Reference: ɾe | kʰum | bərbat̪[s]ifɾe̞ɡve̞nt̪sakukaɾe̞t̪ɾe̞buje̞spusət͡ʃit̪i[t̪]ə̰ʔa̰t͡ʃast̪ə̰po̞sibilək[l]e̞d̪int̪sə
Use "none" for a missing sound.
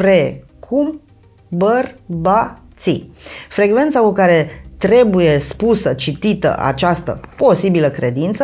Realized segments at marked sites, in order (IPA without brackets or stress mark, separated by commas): s, t̪, ɾ